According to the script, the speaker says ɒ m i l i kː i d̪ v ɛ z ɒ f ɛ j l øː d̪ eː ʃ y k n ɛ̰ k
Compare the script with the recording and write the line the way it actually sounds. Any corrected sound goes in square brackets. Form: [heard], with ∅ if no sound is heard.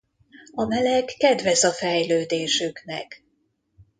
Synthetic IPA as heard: ɒ m [ɛ] l [ɛ] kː [ɛ] d̪ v ɛ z ɒ f ɛ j l øː d̪ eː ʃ y k n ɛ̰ k